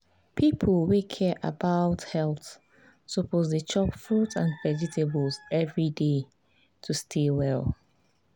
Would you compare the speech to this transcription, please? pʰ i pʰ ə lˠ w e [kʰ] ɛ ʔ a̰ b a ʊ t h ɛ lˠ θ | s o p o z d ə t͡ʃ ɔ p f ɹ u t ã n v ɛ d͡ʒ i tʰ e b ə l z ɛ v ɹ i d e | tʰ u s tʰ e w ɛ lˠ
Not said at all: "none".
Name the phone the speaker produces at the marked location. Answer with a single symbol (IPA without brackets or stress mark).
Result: kʰ